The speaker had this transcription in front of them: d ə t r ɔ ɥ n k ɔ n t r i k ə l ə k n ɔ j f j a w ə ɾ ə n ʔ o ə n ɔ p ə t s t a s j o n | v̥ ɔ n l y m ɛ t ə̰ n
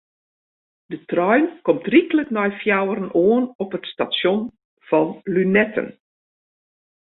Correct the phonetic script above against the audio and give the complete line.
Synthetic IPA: d ə t r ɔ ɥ n k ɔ m t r i k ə l ə k n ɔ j f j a w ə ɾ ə n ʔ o ə n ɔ p ə t s t a s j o n | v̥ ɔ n l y n ɛ t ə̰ n

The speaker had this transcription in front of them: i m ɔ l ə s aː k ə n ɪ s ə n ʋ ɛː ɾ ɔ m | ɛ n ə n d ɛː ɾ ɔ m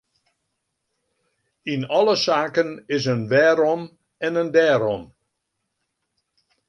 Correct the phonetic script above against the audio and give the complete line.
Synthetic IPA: i n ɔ l ə s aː k ə n ɪ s ə n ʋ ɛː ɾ ɔ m | ɛ n ə n d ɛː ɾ ɔ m

